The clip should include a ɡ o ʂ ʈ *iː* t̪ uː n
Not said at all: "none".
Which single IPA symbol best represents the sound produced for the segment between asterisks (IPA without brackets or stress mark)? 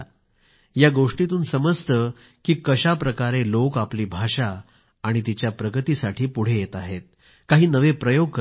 i